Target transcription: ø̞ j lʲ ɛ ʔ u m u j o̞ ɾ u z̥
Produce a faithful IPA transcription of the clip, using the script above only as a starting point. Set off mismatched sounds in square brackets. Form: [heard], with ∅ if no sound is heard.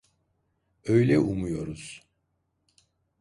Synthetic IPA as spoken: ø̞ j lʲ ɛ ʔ u m u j o̞ ɾ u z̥